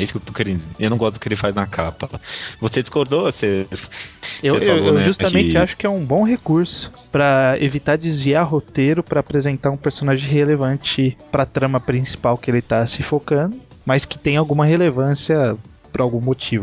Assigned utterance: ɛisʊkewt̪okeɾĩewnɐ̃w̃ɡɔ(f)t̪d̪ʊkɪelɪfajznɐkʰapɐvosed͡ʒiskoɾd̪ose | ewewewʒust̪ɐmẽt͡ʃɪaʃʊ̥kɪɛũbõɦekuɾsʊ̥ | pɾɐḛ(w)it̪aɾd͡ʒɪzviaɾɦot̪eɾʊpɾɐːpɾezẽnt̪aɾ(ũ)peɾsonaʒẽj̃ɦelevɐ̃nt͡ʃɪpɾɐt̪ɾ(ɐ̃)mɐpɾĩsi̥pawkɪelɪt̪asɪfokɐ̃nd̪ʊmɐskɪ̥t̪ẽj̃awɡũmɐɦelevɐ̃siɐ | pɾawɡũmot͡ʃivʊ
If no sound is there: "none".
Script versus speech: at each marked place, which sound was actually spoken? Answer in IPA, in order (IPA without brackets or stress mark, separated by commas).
s, v, ũ, ɐ̃